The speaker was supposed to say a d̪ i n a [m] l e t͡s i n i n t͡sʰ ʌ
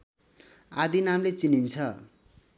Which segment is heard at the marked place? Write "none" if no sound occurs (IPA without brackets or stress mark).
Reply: m